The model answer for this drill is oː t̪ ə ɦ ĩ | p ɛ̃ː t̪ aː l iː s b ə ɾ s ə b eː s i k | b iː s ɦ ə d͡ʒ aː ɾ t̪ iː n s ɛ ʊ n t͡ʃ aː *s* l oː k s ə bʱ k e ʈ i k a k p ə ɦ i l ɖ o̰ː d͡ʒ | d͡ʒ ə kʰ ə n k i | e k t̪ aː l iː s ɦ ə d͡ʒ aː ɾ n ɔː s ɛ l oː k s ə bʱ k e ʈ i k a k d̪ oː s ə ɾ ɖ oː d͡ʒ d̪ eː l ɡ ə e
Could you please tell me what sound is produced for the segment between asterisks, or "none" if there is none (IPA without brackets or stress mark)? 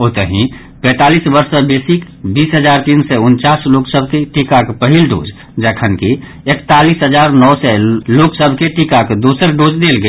s